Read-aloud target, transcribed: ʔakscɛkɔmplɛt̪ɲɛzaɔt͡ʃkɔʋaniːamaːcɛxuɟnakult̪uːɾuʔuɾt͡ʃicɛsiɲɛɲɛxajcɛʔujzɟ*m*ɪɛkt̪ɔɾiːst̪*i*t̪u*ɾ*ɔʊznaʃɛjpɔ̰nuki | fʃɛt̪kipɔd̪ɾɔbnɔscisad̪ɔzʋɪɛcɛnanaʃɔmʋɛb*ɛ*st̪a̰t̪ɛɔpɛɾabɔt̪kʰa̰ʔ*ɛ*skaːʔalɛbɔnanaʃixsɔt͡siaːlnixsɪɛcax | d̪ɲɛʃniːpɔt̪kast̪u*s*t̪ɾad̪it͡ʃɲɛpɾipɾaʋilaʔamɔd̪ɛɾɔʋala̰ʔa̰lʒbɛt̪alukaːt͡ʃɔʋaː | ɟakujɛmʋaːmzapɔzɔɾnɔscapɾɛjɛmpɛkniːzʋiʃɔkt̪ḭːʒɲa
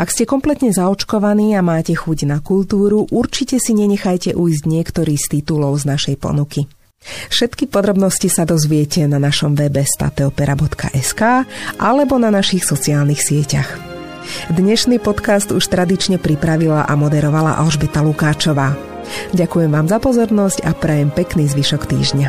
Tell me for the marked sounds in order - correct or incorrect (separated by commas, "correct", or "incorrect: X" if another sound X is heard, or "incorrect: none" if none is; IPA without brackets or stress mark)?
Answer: incorrect: ɲ, correct, incorrect: l, correct, correct, incorrect: ʃ